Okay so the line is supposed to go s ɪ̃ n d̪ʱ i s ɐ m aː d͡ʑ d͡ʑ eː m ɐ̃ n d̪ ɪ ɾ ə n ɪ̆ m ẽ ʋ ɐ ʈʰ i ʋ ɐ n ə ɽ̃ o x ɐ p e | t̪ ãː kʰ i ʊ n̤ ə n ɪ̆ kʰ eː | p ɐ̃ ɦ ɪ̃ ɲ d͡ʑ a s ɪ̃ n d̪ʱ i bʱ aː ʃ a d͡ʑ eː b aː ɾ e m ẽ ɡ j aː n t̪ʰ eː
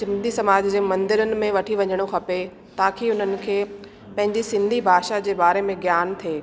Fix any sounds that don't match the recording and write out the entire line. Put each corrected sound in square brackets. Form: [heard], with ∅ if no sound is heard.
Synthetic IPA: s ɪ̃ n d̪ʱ i s ɐ m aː d͡ʑ d͡ʑ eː m ɐ̃ n d̪ ɪ ɾ ə n ɪ̆ m ẽ ʋ ɐ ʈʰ i ʋ ɐ [ɲ] ə ɽ̃ o x ɐ p e | t̪ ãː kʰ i ʊ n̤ ə n ɪ̆ kʰ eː | p ɐ̃ ɦ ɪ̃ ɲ d͡ʑ [i] s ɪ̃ n d̪ʱ i bʱ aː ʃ a d͡ʑ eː b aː ɾ e m ẽ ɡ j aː n t̪ʰ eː